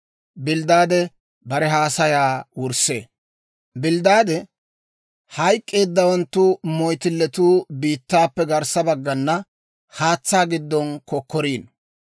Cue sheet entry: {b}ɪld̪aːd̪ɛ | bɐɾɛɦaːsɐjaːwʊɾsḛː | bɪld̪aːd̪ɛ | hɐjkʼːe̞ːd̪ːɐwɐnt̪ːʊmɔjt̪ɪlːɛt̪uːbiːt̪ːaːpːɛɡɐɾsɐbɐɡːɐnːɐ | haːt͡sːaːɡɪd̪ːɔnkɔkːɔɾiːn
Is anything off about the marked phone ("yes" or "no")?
no